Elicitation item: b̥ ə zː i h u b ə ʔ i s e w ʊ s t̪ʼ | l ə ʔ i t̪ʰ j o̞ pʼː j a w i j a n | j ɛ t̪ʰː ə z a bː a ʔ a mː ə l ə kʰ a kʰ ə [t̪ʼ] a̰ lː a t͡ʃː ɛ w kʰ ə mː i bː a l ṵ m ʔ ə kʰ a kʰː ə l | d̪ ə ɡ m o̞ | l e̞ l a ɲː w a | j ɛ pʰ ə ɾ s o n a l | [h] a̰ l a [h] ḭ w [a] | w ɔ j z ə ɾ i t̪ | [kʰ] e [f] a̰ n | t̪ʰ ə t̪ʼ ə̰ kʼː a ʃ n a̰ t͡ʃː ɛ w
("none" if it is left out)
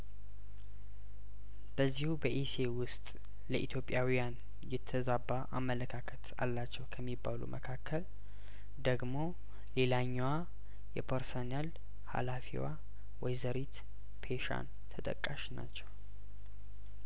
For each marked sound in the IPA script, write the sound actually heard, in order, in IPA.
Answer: t̪, h, f, a, pʰ, ʃ

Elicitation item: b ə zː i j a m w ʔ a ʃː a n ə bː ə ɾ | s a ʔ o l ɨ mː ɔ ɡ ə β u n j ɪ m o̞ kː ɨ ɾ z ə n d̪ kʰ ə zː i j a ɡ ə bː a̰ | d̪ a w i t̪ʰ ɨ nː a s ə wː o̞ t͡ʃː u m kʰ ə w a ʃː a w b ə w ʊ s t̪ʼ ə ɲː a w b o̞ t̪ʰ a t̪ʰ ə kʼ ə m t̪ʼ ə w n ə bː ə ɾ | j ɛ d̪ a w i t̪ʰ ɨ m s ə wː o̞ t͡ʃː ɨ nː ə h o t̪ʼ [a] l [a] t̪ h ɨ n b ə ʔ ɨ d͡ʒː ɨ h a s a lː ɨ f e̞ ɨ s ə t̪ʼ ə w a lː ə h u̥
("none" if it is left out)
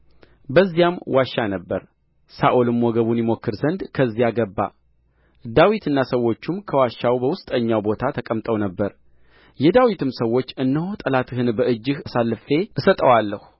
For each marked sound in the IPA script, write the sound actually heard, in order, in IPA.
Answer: ə, a

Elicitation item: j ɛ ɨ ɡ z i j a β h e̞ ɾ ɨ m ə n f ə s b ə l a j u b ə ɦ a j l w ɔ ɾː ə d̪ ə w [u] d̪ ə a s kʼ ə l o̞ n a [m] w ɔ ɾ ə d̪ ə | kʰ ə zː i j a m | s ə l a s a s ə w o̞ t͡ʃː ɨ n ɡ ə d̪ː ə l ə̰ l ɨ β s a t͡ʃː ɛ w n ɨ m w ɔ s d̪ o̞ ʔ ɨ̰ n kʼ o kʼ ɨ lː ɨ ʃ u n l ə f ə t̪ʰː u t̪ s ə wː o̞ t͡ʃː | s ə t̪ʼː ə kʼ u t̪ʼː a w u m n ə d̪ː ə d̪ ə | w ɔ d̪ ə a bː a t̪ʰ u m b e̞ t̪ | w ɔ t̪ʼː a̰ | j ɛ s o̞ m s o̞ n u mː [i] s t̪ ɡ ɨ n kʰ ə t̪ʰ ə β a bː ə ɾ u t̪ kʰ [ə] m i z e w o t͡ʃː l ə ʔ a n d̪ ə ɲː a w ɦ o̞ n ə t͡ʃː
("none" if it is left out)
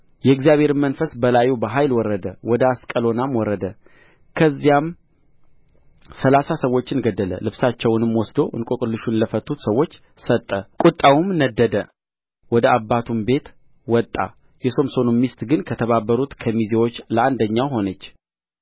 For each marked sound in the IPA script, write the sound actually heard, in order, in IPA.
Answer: ɔ, m, i, ə

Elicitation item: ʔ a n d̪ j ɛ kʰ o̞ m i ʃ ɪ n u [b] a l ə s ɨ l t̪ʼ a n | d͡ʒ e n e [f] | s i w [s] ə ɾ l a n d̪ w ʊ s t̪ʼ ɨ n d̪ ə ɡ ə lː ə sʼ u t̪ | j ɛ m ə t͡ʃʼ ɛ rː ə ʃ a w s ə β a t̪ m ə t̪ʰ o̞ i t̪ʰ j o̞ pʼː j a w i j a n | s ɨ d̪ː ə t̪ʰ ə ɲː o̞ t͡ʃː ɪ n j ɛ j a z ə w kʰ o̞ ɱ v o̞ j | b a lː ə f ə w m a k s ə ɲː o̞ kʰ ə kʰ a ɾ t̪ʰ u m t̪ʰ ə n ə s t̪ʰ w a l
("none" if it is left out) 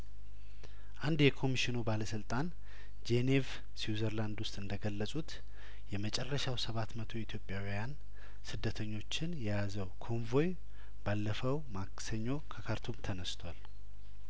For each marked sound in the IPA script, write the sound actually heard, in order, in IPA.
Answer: b, v, z

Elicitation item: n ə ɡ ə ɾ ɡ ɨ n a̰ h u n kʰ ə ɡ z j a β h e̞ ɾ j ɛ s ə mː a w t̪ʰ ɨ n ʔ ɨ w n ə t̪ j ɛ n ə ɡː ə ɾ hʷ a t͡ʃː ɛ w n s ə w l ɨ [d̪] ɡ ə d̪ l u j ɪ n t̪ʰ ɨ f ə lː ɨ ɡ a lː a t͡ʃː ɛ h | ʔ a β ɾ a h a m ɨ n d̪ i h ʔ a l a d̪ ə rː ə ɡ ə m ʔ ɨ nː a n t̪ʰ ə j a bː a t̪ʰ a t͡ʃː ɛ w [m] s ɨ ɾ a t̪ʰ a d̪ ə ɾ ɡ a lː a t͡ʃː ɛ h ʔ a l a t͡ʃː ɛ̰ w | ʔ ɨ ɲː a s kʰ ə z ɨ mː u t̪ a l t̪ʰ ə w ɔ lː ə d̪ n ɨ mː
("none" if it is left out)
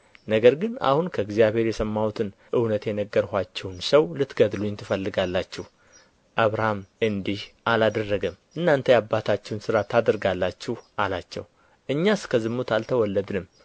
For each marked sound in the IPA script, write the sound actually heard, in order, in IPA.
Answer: t̪, n

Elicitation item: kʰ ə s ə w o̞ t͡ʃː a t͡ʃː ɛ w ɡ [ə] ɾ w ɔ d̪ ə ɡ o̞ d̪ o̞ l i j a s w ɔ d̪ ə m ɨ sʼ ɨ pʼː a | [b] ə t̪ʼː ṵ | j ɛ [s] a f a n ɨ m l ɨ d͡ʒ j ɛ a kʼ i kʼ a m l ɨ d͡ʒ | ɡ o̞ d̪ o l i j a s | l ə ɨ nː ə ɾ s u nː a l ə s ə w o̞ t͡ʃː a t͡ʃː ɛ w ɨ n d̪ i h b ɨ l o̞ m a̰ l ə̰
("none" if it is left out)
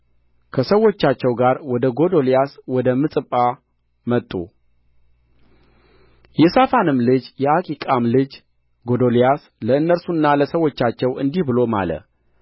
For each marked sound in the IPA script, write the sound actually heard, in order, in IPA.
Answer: a, m, s

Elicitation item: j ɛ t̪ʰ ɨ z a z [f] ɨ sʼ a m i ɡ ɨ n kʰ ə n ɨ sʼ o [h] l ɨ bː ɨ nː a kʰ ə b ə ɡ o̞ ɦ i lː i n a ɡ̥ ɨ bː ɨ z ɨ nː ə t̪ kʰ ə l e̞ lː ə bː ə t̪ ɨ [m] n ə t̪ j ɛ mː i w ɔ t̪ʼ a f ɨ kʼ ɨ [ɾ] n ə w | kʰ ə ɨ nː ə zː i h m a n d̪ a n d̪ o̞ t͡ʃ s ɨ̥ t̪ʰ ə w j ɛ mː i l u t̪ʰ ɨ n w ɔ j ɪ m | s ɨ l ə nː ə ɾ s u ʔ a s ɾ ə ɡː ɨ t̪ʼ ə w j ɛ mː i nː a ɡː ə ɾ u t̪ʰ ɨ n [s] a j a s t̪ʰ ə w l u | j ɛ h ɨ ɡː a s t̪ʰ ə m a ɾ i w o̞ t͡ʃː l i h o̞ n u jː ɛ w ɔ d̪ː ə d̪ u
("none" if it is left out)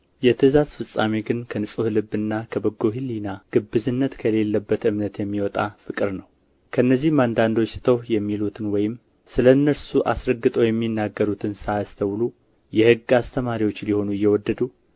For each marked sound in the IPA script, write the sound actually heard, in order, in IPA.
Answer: f, h, m, ɾ, s

